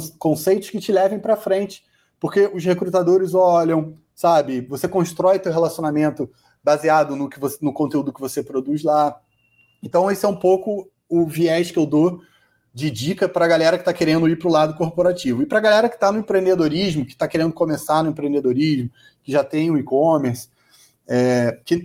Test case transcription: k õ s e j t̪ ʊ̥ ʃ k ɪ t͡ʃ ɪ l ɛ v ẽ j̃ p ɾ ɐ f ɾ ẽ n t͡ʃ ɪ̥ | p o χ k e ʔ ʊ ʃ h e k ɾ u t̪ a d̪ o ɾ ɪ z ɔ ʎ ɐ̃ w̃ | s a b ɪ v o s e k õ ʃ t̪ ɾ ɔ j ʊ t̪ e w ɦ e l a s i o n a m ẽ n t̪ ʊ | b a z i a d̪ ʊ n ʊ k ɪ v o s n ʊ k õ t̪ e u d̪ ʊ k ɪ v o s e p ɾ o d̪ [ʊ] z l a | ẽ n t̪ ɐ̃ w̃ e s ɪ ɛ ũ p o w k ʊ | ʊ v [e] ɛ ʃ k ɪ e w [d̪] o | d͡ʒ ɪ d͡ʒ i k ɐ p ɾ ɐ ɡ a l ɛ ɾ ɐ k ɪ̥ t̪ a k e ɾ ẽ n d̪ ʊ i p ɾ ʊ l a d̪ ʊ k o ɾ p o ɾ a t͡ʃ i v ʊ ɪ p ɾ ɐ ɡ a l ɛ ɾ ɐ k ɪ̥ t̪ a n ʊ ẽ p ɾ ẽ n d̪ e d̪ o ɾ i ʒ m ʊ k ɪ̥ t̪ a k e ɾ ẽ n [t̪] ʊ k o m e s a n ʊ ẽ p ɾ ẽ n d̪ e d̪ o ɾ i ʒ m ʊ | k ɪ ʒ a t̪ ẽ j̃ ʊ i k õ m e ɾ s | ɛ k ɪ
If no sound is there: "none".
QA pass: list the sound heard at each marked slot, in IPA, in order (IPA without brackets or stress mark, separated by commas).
u, i, d̪, d̪